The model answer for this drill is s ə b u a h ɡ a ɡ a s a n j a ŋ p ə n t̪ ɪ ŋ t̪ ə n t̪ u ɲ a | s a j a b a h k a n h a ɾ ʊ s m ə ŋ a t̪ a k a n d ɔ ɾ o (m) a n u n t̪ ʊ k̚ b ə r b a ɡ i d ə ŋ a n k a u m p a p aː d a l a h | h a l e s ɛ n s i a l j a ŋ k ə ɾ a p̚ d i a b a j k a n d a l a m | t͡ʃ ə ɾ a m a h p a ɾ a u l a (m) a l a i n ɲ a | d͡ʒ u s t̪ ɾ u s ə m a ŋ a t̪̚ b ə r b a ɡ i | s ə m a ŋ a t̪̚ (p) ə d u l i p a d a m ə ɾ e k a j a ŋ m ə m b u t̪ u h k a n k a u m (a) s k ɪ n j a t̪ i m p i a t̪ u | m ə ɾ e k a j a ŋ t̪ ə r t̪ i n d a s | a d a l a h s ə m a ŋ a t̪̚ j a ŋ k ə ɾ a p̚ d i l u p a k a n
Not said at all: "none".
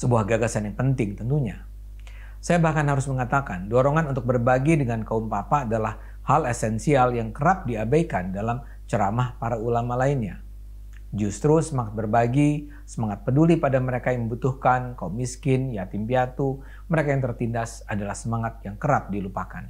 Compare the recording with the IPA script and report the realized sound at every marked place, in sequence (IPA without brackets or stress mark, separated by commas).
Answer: ŋ, m, p, i